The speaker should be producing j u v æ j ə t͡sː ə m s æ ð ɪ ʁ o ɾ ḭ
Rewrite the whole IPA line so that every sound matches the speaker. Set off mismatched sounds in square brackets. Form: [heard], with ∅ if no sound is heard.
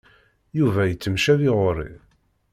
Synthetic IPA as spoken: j u v æ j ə t͡sː ə m [ʃ] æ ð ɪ ʁ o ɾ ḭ